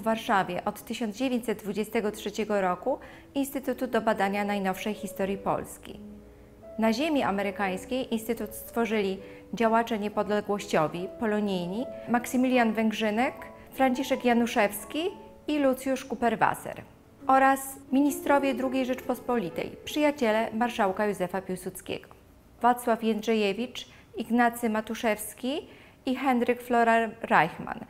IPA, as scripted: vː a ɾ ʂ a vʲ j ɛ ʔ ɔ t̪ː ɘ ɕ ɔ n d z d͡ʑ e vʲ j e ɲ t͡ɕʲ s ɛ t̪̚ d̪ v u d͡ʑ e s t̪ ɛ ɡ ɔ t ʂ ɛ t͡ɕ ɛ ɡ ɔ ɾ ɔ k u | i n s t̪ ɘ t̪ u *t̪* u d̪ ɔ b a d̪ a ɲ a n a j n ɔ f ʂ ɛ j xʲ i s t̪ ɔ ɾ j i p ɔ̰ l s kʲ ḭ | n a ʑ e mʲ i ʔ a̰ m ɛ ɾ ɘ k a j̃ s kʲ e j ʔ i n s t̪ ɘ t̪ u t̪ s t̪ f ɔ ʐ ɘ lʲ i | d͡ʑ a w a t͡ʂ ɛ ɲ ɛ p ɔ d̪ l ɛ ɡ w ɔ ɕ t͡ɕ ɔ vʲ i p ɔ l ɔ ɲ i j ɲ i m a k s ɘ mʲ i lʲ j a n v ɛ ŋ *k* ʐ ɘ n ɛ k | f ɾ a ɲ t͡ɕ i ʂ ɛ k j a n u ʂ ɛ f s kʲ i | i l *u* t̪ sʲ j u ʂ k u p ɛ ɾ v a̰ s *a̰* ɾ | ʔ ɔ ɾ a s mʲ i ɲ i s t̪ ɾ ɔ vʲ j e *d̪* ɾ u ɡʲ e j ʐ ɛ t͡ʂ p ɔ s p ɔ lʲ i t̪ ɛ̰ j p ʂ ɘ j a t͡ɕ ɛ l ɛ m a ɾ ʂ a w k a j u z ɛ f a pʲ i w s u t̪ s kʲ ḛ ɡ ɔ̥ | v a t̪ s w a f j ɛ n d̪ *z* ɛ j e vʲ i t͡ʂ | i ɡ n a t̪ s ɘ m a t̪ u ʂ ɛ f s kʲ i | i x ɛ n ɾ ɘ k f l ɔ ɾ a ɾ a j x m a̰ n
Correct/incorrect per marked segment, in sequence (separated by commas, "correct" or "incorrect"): correct, incorrect, correct, incorrect, correct, incorrect